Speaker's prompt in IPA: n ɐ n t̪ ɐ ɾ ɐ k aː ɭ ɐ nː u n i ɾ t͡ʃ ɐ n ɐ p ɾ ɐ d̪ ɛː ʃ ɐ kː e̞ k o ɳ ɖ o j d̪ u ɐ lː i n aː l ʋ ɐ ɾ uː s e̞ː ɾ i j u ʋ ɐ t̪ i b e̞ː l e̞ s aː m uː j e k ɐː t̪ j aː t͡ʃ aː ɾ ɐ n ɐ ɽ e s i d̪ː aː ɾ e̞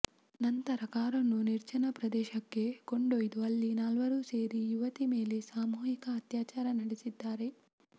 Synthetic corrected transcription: n ɐ n t̪ ɐ ɾ ɐ k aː ɾ ɐ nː u n i ɾ t͡ʃ ɐ n ɐ p ɾ ɐ d̪ ɛː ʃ ɐ kː e̞ k o ɳ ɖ o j d̪ u ɐ lː i n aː l ʋ ɐ ɾ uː s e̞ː ɾ i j u ʋ ɐ t̪ i m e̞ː l e̞ s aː m uː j i k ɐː t̪ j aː t͡ʃ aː ɾ ɐ n ɐ ɽ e s i d̪ː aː ɾ e̞